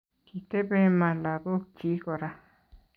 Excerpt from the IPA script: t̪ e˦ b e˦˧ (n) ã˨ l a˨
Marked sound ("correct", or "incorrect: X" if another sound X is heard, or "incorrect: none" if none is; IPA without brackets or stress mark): incorrect: m